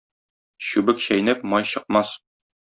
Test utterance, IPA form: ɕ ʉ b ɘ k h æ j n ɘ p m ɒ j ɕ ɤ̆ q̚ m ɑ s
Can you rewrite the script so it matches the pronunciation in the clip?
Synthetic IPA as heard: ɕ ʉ b ɘ k ɕ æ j n ɘ p m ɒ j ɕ ɤ̆ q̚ m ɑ s